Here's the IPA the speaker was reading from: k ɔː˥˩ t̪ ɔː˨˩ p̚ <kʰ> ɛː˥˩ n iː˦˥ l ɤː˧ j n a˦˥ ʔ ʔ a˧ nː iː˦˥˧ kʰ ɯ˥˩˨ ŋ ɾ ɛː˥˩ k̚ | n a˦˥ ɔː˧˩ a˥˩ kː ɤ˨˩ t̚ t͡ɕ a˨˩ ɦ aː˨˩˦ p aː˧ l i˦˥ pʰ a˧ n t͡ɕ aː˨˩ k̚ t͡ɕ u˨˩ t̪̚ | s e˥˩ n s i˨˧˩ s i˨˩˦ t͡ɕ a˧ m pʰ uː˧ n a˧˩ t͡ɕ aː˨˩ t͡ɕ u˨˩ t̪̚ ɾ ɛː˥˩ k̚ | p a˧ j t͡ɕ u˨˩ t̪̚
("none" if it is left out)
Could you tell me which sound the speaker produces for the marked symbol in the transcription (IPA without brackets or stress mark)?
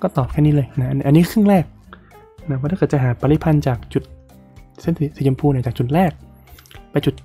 kʰ